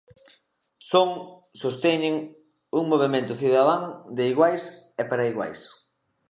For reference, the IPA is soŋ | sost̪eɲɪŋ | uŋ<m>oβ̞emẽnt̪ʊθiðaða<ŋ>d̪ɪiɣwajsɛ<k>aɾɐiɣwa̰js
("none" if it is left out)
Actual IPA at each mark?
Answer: m, ŋ, p

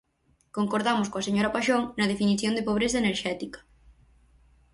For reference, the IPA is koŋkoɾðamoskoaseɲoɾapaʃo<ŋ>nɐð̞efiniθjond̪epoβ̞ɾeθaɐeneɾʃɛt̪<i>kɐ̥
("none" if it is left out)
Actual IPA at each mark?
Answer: ŋ, i

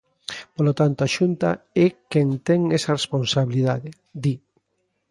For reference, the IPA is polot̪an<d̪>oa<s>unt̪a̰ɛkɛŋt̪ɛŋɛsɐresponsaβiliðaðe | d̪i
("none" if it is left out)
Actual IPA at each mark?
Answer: t̪, ʃ

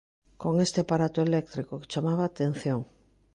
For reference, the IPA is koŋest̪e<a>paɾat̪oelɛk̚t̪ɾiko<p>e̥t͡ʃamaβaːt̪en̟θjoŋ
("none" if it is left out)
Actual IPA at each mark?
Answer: a, k

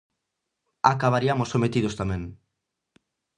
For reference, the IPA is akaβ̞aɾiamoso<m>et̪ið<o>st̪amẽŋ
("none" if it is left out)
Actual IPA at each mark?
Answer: m, o

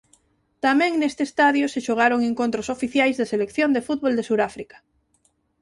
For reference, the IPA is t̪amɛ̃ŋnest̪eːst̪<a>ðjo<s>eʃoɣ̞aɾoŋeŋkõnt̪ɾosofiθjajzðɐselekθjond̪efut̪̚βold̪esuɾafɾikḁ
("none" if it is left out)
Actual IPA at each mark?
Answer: a, s

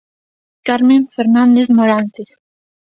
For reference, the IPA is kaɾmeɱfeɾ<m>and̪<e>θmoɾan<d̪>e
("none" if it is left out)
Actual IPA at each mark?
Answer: n, e, t̪

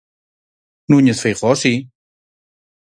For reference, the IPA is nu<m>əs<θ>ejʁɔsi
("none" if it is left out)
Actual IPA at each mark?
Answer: ɲ, f

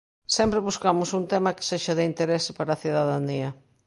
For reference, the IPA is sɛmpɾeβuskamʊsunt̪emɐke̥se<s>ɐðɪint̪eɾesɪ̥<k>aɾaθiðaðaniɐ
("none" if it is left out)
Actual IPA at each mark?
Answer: ʃ, p

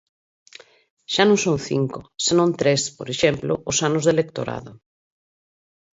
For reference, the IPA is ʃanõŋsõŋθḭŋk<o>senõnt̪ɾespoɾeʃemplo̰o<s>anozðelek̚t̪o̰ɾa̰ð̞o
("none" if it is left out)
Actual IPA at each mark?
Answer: o, s

